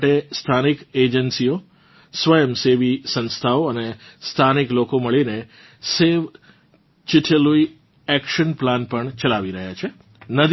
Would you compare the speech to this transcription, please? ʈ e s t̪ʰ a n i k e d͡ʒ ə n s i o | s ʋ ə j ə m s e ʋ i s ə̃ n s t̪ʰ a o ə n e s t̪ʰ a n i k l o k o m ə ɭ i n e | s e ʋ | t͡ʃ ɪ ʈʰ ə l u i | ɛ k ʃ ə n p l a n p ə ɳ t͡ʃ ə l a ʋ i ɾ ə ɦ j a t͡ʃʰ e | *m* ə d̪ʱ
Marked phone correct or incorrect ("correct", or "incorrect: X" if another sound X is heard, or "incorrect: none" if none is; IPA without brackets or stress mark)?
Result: incorrect: n